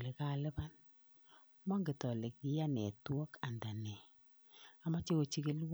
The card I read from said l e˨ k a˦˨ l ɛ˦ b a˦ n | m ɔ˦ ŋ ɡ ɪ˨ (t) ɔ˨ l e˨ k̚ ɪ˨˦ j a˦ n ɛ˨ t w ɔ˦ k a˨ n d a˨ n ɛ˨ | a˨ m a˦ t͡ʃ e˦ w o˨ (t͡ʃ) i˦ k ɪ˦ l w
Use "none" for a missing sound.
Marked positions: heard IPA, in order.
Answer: t, t͡ʃ

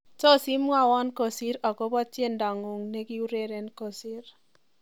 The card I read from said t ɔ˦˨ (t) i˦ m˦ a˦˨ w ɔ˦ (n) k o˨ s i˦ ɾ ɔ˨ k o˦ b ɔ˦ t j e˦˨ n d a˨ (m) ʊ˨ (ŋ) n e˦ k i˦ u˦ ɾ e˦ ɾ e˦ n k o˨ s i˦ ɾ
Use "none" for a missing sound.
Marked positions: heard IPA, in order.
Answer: s, n, ŋ, ŋ

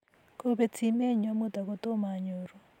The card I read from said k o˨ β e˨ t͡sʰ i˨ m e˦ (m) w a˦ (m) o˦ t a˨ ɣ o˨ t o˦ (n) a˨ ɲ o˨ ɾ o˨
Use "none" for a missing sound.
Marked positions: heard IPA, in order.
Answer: ɲ, m, m

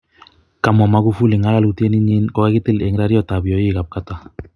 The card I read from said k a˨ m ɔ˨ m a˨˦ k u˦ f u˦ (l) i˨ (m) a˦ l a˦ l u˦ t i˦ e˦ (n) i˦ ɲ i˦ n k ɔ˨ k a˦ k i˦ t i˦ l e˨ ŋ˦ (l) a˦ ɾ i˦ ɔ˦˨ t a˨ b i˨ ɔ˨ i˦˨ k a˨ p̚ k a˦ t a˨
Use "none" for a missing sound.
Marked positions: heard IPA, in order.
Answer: l, ŋ, n, ɾ

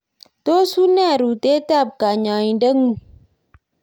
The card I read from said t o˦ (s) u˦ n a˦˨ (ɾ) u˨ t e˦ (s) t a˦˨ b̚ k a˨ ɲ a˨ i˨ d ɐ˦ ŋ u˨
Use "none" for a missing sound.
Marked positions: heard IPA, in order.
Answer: s, ɾ, none

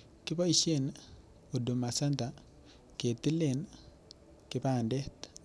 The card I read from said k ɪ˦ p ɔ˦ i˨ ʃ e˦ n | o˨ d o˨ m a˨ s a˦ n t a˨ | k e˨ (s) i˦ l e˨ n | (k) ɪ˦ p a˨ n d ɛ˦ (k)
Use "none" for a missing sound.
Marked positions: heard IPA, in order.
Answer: t, k, t

